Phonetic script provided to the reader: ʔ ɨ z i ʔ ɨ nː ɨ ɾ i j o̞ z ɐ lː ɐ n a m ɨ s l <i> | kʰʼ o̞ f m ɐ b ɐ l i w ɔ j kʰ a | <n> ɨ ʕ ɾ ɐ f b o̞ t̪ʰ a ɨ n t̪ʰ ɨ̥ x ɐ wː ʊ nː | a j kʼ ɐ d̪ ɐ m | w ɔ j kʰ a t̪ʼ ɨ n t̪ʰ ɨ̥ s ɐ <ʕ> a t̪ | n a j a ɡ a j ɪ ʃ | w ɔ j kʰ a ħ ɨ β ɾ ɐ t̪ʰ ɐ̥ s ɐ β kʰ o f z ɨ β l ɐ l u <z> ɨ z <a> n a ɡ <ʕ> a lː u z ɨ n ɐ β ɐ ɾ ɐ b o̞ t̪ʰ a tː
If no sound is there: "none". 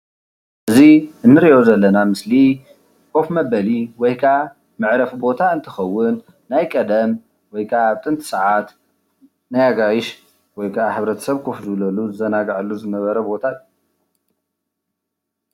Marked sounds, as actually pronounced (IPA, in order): i, m, ʕ, z, ɐ, ʕ

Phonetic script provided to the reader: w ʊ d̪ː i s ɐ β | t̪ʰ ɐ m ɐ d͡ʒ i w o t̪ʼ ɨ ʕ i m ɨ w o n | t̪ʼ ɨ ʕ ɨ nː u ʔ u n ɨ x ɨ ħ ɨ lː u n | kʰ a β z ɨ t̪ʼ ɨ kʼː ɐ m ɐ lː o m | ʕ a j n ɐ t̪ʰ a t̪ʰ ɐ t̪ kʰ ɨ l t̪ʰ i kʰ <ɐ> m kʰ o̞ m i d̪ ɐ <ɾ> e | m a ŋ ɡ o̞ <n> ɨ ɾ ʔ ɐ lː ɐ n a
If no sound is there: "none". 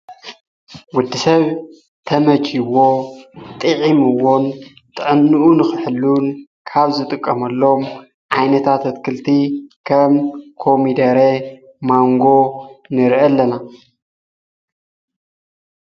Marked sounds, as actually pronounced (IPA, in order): ɐ, ɾ, n

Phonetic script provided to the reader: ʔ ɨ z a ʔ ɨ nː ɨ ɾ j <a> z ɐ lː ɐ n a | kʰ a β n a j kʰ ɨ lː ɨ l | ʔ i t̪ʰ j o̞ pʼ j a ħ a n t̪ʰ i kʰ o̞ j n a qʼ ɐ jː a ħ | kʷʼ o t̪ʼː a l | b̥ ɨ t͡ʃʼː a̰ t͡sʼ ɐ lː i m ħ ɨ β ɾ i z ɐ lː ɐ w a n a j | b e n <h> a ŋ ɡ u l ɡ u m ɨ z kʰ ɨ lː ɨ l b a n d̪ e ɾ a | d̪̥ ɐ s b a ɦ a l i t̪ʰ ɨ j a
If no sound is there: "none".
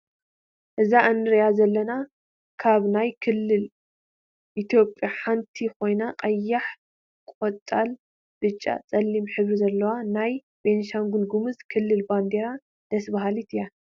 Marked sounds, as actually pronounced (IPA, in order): a, ʃ

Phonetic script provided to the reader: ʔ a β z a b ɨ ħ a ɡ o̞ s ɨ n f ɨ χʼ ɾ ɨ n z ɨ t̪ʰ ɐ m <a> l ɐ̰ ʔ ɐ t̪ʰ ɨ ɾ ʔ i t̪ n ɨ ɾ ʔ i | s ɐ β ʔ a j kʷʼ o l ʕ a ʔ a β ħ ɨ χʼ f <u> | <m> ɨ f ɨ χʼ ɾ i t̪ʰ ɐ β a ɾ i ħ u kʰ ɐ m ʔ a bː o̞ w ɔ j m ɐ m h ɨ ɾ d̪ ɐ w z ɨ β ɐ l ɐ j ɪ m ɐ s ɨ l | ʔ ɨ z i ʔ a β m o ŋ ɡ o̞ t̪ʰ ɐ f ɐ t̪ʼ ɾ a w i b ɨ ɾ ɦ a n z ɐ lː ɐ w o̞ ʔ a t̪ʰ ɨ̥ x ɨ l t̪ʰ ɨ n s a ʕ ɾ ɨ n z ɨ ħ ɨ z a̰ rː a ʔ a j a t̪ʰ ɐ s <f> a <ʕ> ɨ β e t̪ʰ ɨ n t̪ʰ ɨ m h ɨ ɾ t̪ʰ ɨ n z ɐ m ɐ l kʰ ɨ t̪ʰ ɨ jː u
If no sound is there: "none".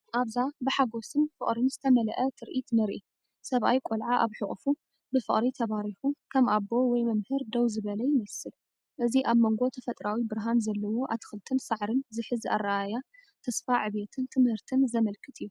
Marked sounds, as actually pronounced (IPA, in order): ɐ, u, b, f, ʕ

